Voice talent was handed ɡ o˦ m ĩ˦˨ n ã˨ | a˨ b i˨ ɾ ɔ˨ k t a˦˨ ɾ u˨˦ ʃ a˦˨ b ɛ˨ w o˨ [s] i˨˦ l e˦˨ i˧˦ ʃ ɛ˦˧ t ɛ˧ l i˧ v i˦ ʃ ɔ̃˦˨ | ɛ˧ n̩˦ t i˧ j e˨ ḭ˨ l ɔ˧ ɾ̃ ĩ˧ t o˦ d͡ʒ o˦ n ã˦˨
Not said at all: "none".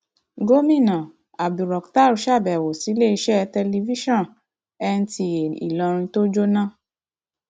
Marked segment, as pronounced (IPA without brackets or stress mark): s